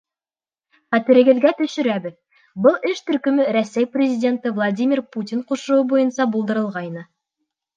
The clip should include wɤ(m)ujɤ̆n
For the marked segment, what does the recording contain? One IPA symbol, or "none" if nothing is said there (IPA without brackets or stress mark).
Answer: b